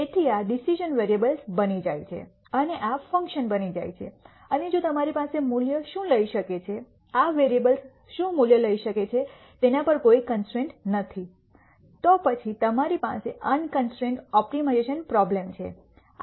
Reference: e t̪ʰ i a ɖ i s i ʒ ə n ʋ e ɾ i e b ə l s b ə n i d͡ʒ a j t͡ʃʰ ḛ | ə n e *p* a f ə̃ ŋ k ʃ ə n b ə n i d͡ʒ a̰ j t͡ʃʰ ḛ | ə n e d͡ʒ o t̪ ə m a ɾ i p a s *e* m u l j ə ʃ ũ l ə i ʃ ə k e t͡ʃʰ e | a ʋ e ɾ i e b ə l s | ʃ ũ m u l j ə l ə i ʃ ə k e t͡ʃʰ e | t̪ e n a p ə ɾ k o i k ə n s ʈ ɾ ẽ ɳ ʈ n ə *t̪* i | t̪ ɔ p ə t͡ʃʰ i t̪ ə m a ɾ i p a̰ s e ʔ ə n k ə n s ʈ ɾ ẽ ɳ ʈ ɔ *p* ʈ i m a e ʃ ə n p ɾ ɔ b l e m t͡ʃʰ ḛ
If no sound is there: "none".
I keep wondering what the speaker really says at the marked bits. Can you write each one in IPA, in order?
ʔ, e, t̪ʰ, p

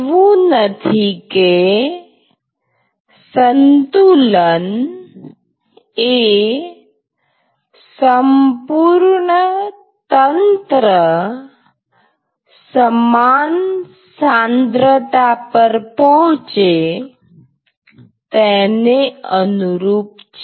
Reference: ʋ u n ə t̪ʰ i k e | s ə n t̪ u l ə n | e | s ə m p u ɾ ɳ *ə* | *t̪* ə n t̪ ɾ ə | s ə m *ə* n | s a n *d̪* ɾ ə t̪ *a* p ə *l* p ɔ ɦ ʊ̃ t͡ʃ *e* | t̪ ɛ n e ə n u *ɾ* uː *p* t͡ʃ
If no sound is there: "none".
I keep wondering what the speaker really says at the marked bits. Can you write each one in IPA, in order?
ə, t̪, a, d̪, a, ɾ, e, ɾ, p

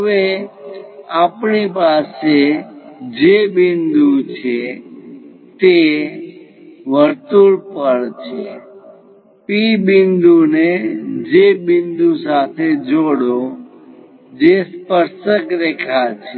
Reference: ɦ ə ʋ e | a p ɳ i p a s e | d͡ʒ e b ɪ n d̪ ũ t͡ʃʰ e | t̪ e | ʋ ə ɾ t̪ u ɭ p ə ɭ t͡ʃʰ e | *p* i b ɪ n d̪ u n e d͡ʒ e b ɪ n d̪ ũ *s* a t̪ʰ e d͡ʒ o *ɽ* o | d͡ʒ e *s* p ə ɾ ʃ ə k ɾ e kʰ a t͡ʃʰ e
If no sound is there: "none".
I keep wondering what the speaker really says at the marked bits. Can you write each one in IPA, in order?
p, s, ɽ, s

